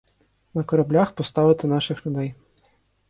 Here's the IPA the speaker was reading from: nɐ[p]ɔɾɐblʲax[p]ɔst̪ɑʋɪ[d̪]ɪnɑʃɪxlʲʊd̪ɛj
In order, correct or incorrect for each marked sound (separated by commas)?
incorrect, correct, incorrect